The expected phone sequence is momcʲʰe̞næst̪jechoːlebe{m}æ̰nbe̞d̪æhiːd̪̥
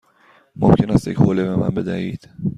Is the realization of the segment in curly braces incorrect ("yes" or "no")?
no